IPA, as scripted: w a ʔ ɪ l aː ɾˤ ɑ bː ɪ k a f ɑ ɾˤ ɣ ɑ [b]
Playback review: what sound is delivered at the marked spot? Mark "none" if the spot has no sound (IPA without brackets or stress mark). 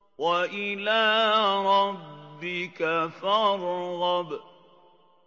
b